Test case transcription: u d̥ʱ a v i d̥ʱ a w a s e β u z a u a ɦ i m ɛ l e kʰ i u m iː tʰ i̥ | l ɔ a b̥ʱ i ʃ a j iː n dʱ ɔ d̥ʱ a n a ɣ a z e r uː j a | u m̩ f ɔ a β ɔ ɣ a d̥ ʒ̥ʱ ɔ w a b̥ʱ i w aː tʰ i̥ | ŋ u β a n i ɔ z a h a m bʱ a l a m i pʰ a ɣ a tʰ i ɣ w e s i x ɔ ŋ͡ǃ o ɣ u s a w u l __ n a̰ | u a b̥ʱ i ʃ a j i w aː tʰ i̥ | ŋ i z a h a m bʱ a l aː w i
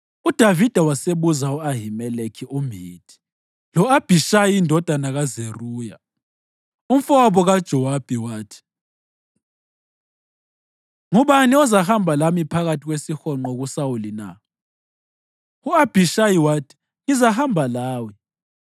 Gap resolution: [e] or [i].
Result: i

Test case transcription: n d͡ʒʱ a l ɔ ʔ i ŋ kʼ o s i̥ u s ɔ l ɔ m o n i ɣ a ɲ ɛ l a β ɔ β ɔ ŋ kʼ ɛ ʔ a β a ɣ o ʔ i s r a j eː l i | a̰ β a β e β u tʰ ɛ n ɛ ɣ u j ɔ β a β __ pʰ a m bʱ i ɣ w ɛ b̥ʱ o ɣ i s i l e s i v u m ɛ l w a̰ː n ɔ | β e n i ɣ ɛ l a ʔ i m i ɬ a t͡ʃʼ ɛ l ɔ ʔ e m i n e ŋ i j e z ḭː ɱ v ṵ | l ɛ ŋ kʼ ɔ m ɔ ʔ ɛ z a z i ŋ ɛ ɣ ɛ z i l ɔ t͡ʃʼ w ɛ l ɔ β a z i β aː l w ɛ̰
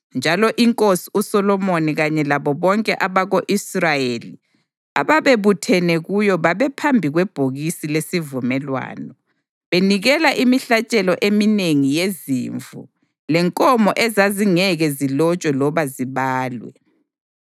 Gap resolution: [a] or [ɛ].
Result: ɛ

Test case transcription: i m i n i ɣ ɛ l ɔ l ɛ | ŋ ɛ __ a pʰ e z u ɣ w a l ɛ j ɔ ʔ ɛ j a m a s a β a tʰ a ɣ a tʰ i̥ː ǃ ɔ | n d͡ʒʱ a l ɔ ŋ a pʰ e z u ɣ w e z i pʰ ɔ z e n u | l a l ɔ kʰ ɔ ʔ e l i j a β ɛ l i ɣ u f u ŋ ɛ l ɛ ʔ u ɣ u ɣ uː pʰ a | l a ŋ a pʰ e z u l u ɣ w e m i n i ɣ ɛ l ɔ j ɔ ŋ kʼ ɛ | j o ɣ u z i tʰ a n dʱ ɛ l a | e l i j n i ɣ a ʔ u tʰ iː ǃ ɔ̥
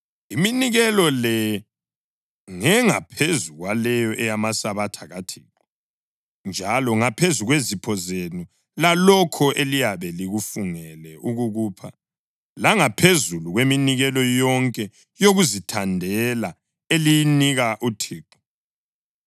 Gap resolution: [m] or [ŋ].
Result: ŋ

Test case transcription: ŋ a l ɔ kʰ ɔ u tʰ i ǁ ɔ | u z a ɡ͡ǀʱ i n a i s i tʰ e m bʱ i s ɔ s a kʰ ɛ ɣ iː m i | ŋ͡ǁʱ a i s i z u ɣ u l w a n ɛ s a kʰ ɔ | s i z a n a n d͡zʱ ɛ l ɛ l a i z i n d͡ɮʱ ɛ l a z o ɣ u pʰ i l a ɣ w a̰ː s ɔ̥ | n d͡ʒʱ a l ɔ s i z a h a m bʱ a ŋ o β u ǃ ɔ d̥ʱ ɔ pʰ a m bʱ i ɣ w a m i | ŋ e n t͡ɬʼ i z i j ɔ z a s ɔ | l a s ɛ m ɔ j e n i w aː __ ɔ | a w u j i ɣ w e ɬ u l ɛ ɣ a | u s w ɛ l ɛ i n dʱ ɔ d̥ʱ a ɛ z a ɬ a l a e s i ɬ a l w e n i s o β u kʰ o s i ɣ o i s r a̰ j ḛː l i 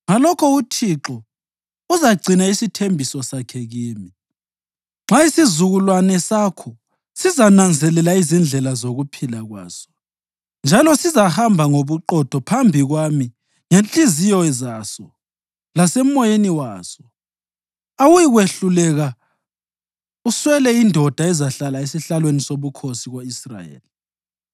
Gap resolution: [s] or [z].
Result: s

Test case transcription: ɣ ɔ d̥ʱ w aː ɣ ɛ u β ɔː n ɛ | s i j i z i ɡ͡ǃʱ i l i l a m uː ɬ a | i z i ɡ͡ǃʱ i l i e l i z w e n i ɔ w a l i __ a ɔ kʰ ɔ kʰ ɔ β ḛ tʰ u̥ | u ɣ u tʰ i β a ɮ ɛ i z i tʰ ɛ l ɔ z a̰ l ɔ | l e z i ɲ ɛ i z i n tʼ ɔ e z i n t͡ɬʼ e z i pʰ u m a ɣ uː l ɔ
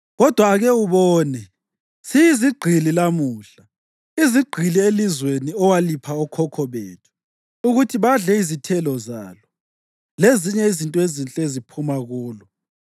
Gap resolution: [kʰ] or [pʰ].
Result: pʰ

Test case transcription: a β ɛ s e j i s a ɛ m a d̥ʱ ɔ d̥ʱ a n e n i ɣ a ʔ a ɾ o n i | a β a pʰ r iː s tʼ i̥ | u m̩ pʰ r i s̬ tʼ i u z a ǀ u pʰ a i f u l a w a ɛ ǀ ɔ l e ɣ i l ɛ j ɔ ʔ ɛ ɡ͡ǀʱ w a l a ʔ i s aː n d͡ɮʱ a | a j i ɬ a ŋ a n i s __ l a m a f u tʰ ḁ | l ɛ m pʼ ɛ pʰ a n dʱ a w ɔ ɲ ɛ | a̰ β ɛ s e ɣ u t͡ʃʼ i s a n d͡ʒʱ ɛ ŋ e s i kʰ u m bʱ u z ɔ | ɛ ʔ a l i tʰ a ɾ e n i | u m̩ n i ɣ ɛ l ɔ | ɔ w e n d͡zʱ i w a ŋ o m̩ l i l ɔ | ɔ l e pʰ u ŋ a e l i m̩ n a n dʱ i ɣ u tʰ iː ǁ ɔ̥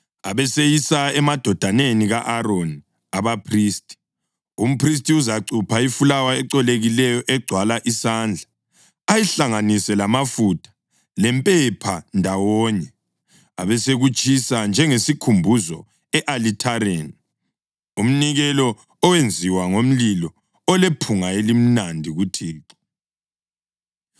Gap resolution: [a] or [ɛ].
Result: ɛ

